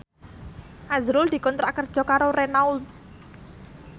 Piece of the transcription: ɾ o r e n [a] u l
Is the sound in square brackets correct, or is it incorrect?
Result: correct